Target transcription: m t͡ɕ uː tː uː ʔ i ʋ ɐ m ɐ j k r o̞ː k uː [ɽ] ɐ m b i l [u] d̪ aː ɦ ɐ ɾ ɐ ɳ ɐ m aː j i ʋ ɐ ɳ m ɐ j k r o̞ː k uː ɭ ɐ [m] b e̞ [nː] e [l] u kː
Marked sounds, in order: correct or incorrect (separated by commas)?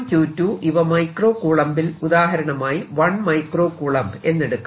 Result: incorrect, correct, correct, correct, incorrect